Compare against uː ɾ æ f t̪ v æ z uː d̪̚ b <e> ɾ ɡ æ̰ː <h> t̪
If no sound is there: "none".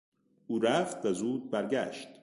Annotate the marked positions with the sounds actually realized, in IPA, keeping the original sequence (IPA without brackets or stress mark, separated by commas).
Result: æ, ʃ